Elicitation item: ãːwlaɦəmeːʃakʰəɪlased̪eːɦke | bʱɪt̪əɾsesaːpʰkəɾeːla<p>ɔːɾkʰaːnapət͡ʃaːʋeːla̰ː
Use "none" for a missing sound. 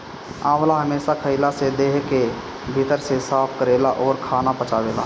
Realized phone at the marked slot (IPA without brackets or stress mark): ʔ